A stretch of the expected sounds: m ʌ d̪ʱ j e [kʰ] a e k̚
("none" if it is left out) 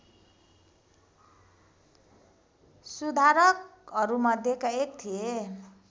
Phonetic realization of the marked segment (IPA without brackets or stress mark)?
k